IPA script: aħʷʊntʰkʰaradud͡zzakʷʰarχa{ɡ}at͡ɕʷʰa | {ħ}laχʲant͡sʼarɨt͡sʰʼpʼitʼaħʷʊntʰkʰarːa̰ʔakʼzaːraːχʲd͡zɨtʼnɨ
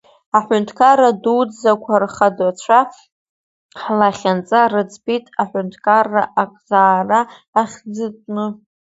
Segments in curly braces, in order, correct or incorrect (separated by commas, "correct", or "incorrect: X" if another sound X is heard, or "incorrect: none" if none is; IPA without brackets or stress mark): incorrect: d, correct